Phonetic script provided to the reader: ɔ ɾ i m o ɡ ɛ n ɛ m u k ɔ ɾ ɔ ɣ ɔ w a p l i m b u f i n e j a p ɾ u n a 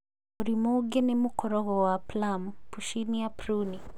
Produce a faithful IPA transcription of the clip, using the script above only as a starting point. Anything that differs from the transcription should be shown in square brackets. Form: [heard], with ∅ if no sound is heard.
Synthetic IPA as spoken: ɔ ɾ i m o ɡ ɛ n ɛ m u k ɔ ɾ ɔ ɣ ɔ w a p l [a] m [p] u [ʃ] i n [i] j a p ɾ u n [i]